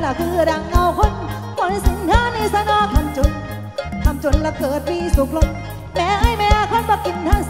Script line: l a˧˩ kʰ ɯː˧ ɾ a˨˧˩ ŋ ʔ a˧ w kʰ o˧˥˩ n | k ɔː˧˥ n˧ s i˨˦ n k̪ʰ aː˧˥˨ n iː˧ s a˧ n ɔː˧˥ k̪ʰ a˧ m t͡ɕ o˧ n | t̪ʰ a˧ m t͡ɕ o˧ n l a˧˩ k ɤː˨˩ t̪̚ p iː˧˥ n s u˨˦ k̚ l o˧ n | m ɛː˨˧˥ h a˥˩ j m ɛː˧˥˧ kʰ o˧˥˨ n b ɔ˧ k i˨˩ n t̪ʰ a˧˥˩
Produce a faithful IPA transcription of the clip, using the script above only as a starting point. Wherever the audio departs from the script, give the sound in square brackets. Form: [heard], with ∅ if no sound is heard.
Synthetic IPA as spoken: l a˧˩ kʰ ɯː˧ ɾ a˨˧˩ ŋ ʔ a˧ w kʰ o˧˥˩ n | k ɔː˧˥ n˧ s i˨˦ n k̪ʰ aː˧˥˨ n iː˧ s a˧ n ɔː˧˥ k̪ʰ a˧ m t͡ɕ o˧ n | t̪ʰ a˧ m t͡ɕ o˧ n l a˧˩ k ɤː˨˩ t̪̚ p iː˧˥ [∅] s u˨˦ k̚ l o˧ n | m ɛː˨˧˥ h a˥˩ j m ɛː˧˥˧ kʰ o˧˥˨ n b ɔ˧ k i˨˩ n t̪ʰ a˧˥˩